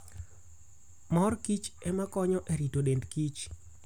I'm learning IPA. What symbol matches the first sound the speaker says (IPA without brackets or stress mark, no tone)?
m